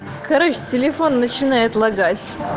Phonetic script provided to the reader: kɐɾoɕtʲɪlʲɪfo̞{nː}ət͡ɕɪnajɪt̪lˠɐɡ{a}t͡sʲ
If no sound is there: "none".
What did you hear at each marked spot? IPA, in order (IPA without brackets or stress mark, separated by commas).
nː, a